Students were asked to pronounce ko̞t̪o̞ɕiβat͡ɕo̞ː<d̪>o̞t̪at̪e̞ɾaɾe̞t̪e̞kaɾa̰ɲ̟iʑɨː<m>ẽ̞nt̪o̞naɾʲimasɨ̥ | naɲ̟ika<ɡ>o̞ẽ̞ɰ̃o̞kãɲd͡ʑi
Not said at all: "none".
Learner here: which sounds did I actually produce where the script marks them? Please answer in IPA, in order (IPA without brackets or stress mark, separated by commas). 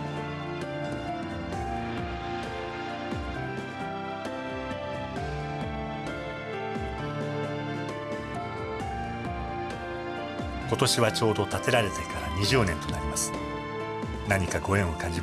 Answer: d̪, n, ɡ